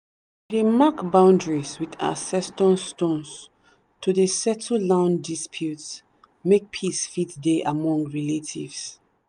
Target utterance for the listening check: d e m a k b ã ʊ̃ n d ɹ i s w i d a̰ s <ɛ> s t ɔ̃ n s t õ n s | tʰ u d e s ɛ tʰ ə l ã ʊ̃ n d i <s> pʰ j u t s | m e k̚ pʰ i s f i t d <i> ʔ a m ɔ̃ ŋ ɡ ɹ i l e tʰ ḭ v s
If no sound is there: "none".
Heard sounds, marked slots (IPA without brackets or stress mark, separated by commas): ɛ, s, e